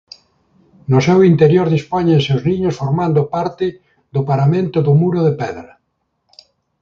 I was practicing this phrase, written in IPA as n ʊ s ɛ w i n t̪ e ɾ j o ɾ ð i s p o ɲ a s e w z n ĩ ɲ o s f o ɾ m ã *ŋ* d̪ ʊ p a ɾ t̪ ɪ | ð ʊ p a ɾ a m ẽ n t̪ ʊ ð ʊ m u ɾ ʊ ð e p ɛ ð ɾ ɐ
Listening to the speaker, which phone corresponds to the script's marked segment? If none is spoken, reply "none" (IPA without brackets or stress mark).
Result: n